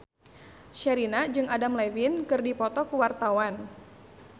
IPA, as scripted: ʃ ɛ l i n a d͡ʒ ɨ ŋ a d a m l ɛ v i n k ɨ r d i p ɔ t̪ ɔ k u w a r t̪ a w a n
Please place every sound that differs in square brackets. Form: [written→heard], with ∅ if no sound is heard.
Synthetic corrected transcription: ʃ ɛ [l→ɾ] i n a d͡ʒ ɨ ŋ a d a m l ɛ v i n k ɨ r d i p ɔ t̪ ɔ k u w a r t̪ a w a n